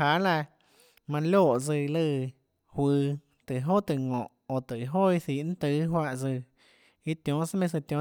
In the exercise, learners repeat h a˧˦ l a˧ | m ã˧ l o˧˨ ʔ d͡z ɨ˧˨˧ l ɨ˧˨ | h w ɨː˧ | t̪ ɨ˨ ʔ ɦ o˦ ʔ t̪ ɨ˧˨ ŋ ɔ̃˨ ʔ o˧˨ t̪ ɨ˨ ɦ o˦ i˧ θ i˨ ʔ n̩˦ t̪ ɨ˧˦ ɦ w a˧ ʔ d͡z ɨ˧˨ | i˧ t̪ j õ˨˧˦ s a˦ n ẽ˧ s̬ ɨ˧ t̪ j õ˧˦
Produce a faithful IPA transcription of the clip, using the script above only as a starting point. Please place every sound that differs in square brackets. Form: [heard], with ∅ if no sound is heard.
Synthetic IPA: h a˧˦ l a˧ | m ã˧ l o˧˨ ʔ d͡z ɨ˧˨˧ l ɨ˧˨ | h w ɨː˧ | t̪ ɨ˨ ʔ ɦ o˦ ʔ t̪ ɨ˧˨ ŋ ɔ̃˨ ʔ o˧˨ t̪ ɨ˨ ɦ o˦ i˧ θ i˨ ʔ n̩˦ t̪ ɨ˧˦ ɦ w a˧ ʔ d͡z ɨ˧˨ | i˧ t̪ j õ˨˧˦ s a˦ [m] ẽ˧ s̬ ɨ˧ t̪ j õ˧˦